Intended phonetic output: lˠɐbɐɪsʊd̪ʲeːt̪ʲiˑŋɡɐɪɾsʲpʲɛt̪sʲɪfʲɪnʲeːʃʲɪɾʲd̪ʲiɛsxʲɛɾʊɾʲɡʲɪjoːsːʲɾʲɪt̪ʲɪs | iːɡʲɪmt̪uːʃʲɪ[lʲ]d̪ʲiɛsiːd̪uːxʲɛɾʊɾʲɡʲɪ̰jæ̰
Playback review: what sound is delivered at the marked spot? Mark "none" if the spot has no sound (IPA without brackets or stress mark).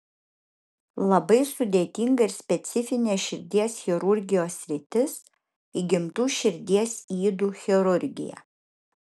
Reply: ɾʲ